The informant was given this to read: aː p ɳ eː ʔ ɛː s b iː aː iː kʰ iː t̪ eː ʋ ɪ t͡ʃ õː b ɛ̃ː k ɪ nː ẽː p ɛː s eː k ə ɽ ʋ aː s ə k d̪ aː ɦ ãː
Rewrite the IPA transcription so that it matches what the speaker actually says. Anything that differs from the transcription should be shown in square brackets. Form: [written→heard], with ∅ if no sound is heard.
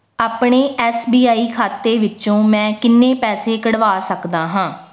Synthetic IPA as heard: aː p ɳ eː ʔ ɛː s b iː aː iː kʰ [iː→aː] t̪ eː ʋ ɪ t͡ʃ õː [b→m] ɛ̃ː k ɪ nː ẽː p ɛː s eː k ə ɽ ʋ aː s ə k d̪ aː ɦ ãː